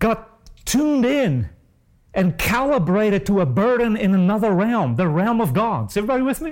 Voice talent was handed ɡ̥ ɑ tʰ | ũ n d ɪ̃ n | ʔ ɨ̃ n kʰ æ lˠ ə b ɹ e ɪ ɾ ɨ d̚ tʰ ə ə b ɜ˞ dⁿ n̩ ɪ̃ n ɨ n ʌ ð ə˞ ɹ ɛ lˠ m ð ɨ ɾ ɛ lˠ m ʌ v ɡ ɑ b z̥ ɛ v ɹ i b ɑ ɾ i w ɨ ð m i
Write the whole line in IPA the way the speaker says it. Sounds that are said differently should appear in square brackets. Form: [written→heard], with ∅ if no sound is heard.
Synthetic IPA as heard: ɡ̥ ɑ tʰ | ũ n d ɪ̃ n | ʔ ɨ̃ n kʰ æ lˠ ə b ɹ e ɪ ɾ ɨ d̚ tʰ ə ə b ɜ˞ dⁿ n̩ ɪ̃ n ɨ n ʌ ð ə˞ ɹ ɛ lˠ m ð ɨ [ɾ→ɹ] ɛ lˠ m ʌ v ɡ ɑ [b→d] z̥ ɛ v ɹ i b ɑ ɾ i w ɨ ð m i